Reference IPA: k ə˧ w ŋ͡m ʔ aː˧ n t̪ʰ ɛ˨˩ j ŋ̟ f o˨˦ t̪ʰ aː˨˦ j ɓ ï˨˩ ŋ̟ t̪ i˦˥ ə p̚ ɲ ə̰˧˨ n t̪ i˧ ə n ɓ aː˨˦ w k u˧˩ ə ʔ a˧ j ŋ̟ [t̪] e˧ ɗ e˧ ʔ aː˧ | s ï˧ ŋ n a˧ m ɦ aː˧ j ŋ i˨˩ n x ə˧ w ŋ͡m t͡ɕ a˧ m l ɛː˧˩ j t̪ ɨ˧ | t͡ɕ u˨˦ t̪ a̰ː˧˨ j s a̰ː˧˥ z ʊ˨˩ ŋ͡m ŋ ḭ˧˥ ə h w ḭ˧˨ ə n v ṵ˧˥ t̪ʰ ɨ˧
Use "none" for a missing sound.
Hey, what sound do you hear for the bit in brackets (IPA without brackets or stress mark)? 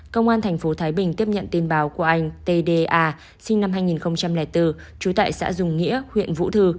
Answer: t̪